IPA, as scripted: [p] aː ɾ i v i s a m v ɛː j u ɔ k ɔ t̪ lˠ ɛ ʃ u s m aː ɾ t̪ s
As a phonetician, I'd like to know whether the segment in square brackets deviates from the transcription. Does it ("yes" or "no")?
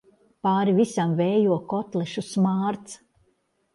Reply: no